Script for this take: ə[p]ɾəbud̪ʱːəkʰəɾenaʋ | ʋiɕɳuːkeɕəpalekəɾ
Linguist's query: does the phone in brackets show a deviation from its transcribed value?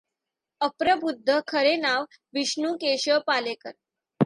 no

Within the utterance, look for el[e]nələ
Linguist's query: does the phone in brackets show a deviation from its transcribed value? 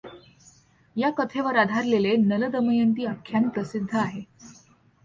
no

